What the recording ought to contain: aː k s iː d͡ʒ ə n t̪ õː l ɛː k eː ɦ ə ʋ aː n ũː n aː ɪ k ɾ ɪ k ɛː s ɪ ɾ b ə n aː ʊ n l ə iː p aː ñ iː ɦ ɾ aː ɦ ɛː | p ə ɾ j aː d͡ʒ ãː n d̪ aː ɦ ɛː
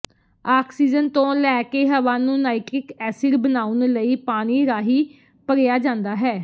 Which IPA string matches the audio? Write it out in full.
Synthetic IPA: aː k s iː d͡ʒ ə n t̪ õː l ɛː k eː ɦ ə ʋ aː n ũː n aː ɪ k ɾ ɪ k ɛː s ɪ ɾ b ə n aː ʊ n l ə iː p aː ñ iː ɾ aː ɦ iː | p ə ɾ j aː d͡ʒ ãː n d̪ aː ɦ ɛː